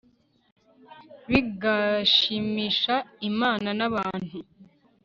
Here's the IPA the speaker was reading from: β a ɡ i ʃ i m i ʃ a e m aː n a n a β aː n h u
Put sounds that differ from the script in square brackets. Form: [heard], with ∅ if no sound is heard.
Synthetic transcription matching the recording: β [i] ɡ [a] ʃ i m i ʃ a [i] m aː n a n a β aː n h u